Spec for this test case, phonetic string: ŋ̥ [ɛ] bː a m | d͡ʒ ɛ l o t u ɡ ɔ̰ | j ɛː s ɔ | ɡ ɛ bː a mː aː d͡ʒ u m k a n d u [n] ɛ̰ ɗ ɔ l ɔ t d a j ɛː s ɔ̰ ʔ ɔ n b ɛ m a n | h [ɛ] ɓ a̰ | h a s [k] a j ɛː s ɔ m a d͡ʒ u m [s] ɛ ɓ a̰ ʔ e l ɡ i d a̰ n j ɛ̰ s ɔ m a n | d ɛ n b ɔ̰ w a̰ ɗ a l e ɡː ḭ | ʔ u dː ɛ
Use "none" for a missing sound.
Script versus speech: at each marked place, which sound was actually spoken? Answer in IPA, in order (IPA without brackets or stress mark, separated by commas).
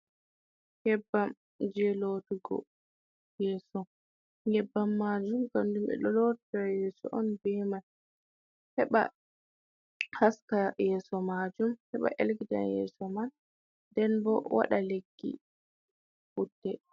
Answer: ɛ, m, ɛ, k, h